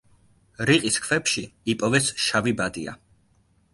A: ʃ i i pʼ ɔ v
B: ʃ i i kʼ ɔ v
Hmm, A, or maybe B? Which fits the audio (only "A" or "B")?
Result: A